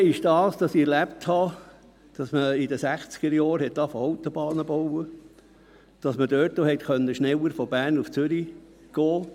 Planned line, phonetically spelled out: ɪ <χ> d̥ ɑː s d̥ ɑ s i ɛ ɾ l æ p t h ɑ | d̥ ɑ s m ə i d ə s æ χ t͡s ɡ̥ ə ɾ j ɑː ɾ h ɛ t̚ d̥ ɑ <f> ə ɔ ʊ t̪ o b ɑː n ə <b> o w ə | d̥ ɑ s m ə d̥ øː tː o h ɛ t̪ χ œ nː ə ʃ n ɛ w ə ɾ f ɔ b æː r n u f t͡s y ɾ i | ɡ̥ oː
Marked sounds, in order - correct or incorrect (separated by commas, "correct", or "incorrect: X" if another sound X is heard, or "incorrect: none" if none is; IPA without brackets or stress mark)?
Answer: incorrect: ʃ, correct, correct